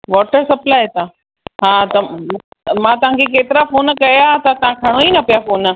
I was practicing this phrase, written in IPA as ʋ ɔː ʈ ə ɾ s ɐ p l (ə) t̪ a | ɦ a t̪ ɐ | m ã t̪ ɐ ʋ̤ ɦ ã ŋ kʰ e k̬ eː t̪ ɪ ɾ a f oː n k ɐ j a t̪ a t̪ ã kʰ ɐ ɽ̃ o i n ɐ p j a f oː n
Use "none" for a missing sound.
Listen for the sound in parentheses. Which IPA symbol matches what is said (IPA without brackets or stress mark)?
a